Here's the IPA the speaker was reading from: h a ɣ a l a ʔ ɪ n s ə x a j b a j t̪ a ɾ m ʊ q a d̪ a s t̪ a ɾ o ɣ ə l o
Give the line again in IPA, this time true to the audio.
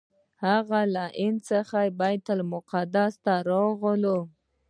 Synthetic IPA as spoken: h a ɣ a l a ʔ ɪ n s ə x a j b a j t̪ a l m ʊ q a d̪ a s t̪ a ɾ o ɣ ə l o